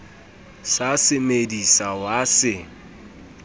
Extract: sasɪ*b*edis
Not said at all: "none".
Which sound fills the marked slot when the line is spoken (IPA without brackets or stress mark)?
m